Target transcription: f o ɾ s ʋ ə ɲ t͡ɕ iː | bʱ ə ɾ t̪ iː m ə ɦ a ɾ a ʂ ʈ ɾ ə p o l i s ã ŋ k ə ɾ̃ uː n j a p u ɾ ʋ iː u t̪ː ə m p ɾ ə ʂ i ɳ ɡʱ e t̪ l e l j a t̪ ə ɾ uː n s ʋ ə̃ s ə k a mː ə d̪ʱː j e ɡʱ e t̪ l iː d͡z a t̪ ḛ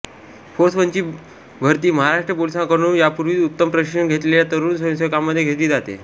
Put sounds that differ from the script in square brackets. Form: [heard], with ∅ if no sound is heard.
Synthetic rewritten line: f o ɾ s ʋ ə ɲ t͡ɕ iː | bʱ ə ɾ t̪ iː m ə ɦ a ɾ a ʂ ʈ ɾ ə p o l i s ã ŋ k ə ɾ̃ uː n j a p u ɾ ʋ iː u t̪ː ə m p ɾ ə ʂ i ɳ ɡʱ e t̪ l e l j a t̪ ə ɾ uː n s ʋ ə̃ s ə k a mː ə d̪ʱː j e ɡʱ e t̪ l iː d͡z a t̪ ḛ